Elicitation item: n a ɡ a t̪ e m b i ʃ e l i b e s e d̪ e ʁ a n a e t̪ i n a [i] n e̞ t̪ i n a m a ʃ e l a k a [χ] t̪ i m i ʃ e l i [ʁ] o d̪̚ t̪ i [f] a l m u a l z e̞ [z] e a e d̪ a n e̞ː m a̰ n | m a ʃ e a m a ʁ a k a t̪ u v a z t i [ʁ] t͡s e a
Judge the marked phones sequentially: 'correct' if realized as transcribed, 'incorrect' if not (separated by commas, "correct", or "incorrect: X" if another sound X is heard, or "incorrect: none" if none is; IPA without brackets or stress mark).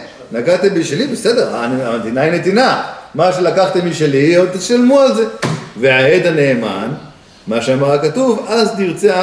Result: correct, correct, incorrect: none, incorrect: ʃ, incorrect: v, correct